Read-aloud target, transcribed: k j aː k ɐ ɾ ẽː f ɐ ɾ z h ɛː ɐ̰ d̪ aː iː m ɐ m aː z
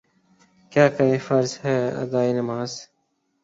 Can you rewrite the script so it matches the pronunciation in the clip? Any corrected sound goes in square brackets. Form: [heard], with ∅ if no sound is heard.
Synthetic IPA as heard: k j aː k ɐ ɾ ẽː f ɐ ɾ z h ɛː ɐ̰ d̪ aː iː [n] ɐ m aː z

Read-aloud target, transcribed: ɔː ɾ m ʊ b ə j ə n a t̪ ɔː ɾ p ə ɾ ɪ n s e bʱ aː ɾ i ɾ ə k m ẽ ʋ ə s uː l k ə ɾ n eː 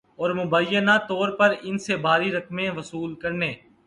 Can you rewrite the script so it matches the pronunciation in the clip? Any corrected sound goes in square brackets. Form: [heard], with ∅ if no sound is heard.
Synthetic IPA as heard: ɔː ɾ m ʊ b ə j ə n a t̪ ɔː ɾ p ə ɾ ɪ n s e bʱ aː ɾ i ɾ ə k m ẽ ʋ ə s uː l k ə ɾ n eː

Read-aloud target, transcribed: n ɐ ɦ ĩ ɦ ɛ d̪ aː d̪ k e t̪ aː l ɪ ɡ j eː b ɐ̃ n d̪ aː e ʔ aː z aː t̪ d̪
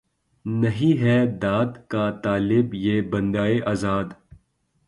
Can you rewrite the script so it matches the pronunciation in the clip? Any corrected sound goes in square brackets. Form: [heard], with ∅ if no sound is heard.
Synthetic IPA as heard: n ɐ ɦ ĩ ɦ ɛ d̪ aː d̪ k [a] t̪ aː l ɪ [b] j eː b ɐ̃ n d̪ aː e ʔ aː z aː [∅] d̪

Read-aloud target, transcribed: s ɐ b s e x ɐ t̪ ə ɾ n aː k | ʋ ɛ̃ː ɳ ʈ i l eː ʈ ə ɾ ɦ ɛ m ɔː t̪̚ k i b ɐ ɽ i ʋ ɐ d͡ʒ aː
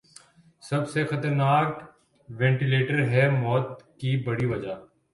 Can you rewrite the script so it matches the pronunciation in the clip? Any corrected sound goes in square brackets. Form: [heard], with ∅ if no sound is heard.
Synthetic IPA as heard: s ɐ b s e x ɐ t̪ ə ɾ n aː k | ʋ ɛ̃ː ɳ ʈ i l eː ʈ ə ɾ ɦ ɛ m ɔː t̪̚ k i b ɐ ɽ i ʋ ɐ d͡ʒ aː

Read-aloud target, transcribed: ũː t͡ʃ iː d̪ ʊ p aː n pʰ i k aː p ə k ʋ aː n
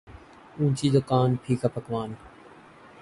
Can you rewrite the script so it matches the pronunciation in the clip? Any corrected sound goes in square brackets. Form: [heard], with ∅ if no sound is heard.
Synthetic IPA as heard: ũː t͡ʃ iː d̪ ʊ [k] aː n pʰ [iː] k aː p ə k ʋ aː n

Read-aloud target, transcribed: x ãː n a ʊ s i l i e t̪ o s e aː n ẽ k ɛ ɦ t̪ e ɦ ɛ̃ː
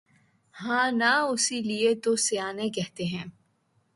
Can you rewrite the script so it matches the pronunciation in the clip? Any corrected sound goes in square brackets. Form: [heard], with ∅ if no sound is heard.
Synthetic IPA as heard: [h] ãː n a ʊ s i l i e t̪ o s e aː n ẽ k ɛ ɦ t̪ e ɦ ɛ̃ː

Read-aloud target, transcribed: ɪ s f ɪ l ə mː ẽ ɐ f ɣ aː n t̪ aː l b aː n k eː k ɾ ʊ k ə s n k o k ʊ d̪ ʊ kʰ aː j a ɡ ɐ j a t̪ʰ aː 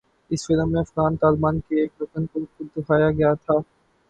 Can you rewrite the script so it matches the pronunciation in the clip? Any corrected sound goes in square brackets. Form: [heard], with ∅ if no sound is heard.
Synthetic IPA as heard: ɪ s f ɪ l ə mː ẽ ɐ f ɣ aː n t̪ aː l b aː n k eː k ɾ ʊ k ə [∅] n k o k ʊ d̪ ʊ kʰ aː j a ɡ ɐ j a t̪ʰ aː

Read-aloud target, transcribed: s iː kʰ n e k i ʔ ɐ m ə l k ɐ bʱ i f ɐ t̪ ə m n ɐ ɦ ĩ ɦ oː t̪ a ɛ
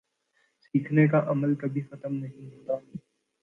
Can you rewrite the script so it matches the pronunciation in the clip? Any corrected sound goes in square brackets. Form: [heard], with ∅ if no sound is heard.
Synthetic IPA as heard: s iː kʰ n e k [a] ʔ ɐ m ə l k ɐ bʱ i [x] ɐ t̪ ə m n ɐ ɦ ĩ ɦ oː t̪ a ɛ

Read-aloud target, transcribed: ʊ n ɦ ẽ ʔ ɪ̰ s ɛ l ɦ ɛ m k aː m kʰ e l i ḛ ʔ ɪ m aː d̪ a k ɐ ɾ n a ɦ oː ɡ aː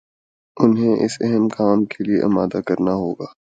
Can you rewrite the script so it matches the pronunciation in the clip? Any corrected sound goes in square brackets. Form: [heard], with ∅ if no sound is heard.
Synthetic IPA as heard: ʊ n ɦ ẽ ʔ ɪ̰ s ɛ [∅] ɦ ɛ m k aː m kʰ e l i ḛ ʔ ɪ m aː d̪ a k ɐ ɾ n a ɦ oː ɡ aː

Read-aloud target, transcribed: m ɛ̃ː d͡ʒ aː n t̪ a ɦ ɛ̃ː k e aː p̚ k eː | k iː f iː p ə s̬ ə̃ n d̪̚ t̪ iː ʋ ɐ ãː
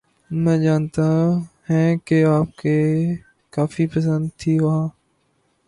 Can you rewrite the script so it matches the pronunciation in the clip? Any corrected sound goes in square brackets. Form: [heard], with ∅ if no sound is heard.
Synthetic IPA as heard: m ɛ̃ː d͡ʒ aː n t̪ a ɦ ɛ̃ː k e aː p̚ k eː | k [aː] f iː p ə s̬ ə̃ n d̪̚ [t̪ʰ] iː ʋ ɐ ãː

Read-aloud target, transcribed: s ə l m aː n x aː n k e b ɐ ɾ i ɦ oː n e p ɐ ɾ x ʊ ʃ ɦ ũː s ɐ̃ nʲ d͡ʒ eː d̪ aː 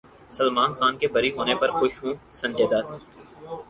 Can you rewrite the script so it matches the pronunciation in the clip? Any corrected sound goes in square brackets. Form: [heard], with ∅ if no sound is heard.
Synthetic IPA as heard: s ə l m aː n x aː n k e b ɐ ɾ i ɦ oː n e p ɐ ɾ x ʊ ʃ ɦ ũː s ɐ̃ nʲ d͡ʒ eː d̪ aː

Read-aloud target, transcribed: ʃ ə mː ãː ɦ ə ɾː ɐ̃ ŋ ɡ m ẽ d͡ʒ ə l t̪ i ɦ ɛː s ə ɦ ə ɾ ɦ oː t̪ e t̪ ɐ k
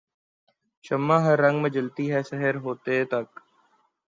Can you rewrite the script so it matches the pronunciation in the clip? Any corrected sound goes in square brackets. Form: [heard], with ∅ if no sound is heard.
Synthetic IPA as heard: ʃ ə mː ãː ɦ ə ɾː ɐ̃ ŋ ɡ m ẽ d͡ʒ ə l t̪ i ɦ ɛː s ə ɦ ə ɾ ɦ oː t̪ e t̪ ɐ k

